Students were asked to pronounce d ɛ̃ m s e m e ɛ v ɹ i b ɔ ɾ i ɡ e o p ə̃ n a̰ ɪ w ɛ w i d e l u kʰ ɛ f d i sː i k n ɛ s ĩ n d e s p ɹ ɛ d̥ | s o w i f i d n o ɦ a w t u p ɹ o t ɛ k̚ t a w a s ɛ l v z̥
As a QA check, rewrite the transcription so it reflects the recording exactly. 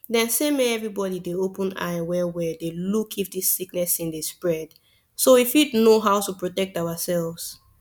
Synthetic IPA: d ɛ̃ n s e m e ɛ v ɹ i b ɔ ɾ i d e o p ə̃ n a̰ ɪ w ɛ w ɛ d e l u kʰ i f d i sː i k n ɛ s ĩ n d e s p ɹ ɛ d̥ | s o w i f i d n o ɦ a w t u p ɹ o t ɛ k̚ t a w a s ɛ l v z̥